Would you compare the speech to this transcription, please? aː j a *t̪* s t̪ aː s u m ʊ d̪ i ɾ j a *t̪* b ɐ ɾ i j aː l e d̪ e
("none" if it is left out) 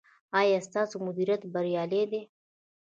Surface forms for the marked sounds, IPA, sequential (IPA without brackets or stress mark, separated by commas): none, t̪